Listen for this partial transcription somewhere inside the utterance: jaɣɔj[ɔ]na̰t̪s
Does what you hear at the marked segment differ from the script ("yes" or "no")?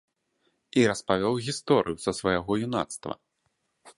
yes